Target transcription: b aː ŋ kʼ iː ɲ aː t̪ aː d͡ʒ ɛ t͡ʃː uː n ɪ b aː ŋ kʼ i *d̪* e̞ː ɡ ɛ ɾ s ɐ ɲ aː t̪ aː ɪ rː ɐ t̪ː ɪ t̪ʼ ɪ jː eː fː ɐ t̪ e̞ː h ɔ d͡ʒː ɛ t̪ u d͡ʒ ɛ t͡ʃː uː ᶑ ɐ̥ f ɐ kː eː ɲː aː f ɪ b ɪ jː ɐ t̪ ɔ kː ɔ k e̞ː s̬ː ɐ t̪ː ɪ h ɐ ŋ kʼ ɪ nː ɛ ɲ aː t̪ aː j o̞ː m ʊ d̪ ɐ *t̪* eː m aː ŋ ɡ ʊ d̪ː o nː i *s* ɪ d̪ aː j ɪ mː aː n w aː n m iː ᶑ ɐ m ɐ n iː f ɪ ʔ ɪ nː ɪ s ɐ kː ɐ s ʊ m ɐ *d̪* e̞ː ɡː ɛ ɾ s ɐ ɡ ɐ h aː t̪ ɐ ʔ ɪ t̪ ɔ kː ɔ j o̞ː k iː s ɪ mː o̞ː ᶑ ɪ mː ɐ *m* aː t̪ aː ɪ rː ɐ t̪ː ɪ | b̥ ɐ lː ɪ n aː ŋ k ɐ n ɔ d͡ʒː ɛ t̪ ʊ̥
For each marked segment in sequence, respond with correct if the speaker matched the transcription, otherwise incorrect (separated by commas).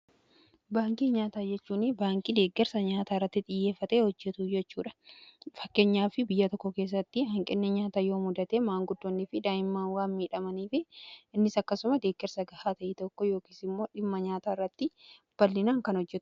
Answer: correct, correct, incorrect, correct, incorrect